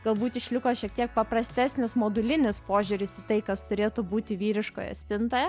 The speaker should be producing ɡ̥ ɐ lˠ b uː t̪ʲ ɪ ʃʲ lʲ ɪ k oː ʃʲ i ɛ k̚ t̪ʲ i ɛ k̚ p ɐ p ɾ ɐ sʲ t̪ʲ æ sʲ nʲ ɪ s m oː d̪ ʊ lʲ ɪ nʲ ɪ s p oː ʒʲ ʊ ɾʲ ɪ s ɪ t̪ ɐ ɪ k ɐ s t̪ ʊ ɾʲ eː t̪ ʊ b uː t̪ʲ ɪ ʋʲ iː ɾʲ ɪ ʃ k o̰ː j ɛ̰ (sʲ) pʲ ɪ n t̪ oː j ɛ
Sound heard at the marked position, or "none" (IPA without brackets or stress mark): sʲ